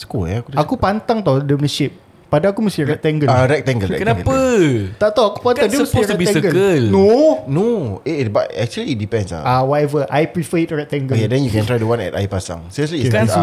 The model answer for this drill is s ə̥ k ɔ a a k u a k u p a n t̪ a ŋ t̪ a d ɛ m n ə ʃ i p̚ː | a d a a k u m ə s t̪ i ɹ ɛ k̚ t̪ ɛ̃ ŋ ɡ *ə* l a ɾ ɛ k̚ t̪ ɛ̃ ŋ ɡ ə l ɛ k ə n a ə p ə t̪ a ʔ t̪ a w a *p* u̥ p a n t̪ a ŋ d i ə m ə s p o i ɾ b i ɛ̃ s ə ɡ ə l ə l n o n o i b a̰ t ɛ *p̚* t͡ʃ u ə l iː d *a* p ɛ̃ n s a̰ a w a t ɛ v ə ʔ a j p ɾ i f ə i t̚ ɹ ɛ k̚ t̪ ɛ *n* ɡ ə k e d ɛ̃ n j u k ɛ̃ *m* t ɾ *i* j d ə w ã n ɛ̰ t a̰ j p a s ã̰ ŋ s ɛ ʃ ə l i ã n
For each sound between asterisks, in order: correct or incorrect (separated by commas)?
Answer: correct, incorrect, incorrect, incorrect, incorrect, incorrect, incorrect